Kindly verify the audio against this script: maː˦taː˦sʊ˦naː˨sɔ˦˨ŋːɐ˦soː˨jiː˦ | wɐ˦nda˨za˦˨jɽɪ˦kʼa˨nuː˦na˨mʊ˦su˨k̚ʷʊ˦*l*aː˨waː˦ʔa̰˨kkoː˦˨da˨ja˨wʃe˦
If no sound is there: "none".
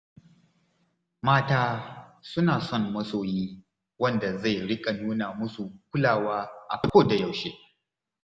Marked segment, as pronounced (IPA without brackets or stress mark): l